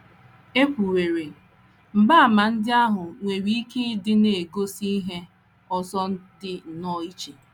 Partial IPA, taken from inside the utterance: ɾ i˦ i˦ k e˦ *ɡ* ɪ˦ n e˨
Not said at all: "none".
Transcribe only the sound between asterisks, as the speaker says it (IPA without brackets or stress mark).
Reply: d